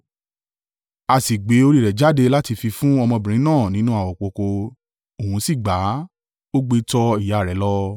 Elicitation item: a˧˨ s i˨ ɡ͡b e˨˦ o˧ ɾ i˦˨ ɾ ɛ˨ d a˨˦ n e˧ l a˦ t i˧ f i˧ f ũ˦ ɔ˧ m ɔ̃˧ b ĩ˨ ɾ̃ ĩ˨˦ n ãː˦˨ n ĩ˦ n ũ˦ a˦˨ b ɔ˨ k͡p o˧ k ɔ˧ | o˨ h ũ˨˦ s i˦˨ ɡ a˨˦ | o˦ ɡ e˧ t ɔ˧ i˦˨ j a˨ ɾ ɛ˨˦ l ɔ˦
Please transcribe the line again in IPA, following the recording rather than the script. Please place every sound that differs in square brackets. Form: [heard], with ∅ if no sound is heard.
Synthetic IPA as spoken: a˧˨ s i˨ ɡ͡b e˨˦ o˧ ɾ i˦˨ ɾ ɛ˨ [d͡ʒ] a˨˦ [d] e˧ l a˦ t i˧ f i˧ f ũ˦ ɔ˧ m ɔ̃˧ b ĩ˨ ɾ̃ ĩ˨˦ n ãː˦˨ n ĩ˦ n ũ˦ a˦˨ [w] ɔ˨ k͡p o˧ k [o˧] | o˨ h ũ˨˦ s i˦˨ [ɡ͡b] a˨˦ | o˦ [ɡ͡b] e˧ t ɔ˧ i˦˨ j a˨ ɾ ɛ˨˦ l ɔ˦